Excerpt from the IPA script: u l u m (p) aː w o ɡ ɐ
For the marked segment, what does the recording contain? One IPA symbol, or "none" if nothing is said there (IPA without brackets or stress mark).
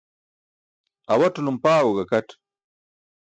p